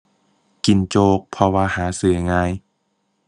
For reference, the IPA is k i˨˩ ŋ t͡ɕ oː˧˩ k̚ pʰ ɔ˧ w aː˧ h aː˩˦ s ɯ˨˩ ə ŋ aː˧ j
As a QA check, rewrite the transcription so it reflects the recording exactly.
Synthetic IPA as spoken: k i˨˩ n t͡ɕ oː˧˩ k̚ pʰ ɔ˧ w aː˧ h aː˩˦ s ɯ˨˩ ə ŋ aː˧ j